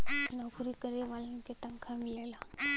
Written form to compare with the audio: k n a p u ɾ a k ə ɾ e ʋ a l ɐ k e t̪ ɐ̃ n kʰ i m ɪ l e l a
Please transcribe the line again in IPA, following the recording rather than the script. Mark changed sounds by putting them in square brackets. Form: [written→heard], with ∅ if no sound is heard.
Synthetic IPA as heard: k n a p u ɾ [a→i] k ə ɾ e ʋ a l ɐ k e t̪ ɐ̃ [n→ŋ] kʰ [i→a] m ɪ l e l a